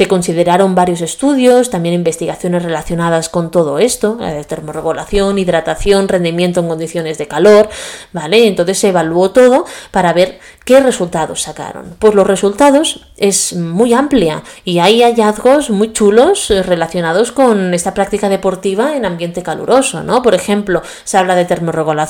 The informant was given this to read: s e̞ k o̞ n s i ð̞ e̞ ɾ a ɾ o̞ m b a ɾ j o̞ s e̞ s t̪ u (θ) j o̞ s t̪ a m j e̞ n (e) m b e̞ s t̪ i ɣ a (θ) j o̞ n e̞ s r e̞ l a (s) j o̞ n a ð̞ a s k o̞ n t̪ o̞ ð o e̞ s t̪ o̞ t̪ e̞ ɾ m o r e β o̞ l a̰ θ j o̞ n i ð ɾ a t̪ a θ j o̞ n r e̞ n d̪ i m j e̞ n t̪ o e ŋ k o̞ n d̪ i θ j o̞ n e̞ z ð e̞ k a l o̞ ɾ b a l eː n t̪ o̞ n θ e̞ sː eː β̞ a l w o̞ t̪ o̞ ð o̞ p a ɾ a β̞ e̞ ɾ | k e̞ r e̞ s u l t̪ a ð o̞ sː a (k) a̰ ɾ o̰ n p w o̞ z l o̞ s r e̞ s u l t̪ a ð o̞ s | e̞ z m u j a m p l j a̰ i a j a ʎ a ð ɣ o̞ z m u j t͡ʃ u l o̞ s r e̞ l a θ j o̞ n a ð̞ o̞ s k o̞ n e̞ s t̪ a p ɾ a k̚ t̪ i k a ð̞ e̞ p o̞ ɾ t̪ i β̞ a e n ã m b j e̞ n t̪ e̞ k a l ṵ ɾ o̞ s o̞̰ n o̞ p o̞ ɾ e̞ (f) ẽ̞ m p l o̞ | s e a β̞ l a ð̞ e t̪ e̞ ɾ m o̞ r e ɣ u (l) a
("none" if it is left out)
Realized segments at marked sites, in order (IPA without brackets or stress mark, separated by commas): ð, i, θ, θ, k, x, l